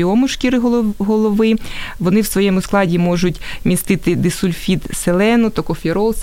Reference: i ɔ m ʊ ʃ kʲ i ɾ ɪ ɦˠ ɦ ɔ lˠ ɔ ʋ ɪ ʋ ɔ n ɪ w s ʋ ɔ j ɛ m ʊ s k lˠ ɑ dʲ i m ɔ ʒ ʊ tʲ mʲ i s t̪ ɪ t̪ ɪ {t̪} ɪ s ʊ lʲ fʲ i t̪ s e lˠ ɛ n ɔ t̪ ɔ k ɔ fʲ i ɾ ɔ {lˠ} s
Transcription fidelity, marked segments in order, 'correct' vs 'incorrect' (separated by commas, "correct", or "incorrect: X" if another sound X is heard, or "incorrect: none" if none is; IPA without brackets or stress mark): incorrect: d̪, correct